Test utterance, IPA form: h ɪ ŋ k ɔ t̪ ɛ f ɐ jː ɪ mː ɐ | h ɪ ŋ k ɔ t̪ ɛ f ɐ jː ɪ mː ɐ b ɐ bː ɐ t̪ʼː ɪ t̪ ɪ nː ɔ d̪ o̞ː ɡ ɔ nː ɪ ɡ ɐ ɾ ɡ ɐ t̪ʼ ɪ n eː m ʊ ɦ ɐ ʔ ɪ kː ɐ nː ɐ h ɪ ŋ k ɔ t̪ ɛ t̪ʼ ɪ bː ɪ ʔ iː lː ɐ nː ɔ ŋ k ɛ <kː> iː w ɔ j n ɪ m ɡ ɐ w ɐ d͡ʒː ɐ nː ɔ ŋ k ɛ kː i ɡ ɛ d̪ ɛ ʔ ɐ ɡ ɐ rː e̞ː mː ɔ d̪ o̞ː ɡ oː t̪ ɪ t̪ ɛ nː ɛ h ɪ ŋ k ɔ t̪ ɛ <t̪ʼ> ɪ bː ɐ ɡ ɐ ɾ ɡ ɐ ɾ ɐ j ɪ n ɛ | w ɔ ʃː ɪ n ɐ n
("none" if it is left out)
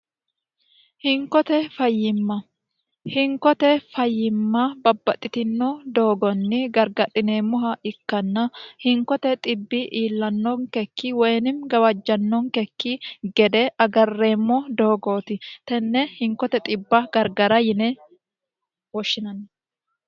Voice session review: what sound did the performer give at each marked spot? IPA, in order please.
kː, t̪ʼ

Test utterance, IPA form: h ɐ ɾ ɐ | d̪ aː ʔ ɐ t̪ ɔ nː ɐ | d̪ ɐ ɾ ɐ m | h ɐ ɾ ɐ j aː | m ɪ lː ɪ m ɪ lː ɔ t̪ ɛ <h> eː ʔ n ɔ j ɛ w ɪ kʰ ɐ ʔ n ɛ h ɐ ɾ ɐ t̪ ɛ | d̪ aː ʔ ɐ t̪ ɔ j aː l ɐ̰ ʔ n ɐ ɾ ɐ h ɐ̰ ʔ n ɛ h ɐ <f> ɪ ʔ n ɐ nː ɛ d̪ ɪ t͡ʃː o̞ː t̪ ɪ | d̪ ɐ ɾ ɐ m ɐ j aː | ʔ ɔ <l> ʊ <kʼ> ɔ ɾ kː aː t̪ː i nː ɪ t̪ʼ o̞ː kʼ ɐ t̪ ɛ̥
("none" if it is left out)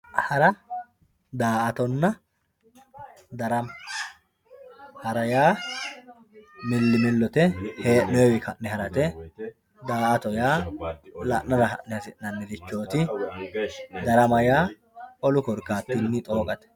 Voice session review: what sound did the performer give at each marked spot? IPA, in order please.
h, s, l, k

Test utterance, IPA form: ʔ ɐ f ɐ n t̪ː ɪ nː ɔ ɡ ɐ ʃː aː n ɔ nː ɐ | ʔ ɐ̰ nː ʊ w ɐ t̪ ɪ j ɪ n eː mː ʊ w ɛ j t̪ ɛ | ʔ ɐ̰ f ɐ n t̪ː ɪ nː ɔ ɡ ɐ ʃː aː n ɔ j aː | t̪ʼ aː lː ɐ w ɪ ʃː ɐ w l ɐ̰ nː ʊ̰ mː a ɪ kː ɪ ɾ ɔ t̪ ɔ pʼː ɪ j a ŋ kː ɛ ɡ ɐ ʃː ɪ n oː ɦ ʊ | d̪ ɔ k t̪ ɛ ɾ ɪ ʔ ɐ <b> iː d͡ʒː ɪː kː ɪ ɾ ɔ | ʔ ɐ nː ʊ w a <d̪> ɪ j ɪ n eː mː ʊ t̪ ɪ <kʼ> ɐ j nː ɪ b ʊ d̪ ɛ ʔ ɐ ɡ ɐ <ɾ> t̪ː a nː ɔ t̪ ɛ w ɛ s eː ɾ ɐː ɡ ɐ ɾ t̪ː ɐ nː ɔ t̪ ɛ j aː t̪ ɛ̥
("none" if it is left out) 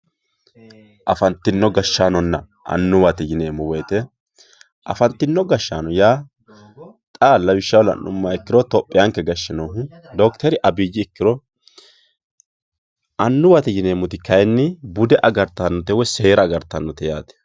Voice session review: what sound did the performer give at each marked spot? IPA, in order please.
b, t̪, k, ɾ

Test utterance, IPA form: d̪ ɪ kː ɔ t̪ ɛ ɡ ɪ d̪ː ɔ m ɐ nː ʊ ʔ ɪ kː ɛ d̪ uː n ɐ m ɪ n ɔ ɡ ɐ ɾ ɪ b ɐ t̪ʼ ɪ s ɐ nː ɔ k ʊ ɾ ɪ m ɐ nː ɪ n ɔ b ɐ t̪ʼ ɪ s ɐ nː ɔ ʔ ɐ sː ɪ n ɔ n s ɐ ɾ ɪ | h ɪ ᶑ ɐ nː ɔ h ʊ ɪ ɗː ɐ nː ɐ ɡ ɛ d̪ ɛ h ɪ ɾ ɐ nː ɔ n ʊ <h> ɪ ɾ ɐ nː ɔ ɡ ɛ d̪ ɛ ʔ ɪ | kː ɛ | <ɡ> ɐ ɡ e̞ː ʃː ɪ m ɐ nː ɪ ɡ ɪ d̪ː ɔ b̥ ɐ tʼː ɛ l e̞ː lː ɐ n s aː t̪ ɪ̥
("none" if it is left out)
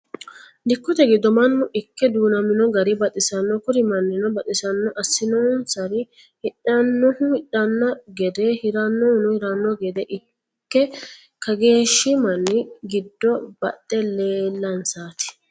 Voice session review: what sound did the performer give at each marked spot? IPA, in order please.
h, k

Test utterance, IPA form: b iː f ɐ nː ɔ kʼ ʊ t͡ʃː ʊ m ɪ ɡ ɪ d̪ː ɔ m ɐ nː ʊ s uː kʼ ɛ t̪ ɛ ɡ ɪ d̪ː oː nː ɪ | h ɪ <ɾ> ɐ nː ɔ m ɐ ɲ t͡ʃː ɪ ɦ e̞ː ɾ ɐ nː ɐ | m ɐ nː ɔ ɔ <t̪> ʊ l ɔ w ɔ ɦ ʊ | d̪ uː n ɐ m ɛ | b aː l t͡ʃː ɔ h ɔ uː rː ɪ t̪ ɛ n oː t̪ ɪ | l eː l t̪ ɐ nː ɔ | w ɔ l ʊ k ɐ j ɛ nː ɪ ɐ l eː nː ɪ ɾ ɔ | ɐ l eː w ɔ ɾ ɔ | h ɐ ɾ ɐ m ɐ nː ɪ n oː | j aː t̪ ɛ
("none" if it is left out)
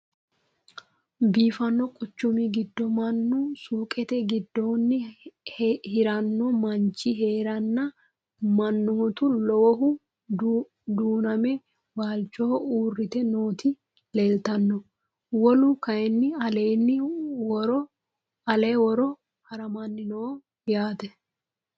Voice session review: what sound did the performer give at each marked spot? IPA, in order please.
ɾ, t̪

